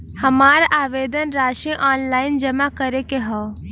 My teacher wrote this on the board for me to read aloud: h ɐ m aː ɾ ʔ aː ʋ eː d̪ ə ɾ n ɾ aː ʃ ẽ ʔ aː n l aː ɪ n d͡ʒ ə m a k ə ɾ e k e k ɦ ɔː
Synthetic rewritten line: h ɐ m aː ɾ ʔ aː ʋ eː d̪ ə n ɾ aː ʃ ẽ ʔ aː n l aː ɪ n d͡ʒ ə m a k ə ɾ e k e ɦ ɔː